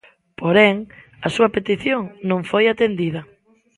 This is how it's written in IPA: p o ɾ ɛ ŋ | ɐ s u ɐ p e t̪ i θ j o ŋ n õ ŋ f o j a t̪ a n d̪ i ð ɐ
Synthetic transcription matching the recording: p o ɾ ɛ ŋ | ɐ s u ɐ p e t̪ i θ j o ŋ n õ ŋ f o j a t̪ e n d̪ i ð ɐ